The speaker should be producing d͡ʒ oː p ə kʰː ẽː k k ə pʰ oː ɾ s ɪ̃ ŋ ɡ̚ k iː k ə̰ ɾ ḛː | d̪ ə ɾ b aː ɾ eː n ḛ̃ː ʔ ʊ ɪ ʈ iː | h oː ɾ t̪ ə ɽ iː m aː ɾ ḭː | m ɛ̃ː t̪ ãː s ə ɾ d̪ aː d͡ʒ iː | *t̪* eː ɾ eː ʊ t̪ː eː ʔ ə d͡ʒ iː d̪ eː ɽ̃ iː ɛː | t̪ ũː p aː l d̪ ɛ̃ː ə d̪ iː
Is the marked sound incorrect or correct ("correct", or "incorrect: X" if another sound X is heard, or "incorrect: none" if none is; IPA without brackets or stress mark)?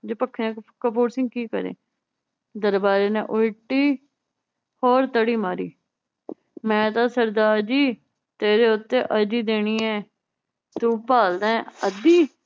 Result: correct